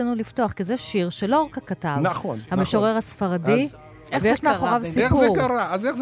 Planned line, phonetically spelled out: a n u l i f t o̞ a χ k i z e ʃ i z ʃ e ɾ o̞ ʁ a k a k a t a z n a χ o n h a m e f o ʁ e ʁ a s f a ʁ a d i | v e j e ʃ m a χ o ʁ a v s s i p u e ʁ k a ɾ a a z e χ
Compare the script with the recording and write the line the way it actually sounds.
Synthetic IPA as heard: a n u l i f t o̞ a χ k i z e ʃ i ʁ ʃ e l o̞ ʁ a k a k a t a v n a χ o n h a m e ʃ o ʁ e ʁ a s f a ʁ a d i | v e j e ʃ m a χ o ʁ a v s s i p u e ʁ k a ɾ a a z e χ